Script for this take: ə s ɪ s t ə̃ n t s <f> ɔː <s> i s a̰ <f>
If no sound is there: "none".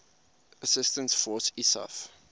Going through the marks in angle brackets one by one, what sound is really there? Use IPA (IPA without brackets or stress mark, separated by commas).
f, s, f